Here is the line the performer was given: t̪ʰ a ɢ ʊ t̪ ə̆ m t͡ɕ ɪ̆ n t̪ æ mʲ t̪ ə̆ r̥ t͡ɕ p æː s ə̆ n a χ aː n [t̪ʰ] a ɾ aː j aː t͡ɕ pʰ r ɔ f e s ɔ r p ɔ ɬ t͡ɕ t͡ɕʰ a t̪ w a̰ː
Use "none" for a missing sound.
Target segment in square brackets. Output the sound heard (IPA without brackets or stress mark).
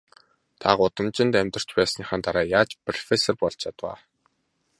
t̪